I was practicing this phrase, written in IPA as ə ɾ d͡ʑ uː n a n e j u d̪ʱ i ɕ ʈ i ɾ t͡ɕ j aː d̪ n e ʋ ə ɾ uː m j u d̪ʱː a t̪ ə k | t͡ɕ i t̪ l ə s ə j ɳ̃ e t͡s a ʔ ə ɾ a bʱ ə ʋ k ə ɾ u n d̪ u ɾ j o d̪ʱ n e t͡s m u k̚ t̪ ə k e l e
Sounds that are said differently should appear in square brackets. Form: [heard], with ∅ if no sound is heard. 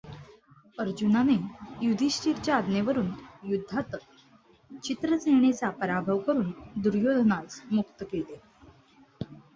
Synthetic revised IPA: ə ɾ d͡ʑ [u] n a n e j u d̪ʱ i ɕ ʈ i ɾ t͡ɕ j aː d̪ n e ʋ ə ɾ uː [n] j u d̪ʱː a t̪ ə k | t͡ɕ i t̪ [ɾ] ə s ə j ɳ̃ e t͡s a [p] ə ɾ a bʱ ə ʋ k ə ɾ [uː] n d̪ u ɾ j o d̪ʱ n [a] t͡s m u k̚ t̪ ə k e l e

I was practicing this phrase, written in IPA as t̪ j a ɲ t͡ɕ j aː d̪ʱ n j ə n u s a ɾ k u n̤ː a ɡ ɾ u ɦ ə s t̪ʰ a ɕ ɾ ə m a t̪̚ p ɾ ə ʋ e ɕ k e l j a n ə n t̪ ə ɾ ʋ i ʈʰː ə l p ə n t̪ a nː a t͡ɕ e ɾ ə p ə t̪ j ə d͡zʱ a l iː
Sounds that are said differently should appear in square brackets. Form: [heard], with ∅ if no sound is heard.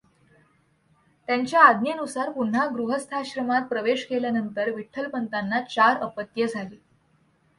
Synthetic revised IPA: t̪ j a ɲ t͡ɕ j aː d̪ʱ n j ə n u s a ɾ [p] u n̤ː a ɡ ɾ u ɦ ə s t̪ʰ a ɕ ɾ ə m a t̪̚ p ɾ ə ʋ e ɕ k e l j a n ə n t̪ ə ɾ ʋ i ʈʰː ə l p ə n t̪ a nː a t͡ɕ [a] ɾ ə p ə t̪ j ə d͡zʱ a l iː

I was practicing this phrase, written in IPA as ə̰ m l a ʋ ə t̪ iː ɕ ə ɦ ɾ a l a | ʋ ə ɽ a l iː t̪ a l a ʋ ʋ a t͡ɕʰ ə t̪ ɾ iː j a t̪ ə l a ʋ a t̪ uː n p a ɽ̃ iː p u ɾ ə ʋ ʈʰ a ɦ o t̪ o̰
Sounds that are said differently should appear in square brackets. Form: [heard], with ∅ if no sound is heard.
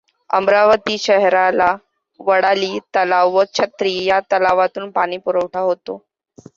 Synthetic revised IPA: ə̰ m [ɾ] a ʋ ə t̪ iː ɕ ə ɦ ɾ a l a | ʋ ə ɽ a l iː t̪ [ə] l a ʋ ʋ [ə] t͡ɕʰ ə t̪ ɾ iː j a t̪ ə l a ʋ a t̪ uː n p a ɽ̃ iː p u ɾ ə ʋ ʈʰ a ɦ o t̪ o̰

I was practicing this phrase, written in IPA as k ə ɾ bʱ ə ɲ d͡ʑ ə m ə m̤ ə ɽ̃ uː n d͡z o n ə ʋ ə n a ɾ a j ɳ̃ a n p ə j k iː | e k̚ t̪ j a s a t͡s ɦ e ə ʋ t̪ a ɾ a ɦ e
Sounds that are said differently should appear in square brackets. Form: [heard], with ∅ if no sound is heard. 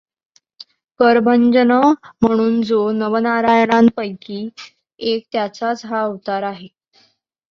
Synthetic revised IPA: k ə ɾ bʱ ə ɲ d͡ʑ ə [n] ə m̤ ə ɽ̃ uː n d͡z o n ə ʋ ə n a ɾ a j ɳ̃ a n p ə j k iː | e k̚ t̪ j a [t͡s] a t͡s ɦ [a] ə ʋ t̪ a ɾ a ɦ e

